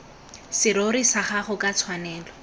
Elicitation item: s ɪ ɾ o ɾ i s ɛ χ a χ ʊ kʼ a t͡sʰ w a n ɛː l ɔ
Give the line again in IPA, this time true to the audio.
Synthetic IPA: s ɪ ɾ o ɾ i s a χ a χ ʊ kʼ a t͡sʰ w a n ɛː l ɔ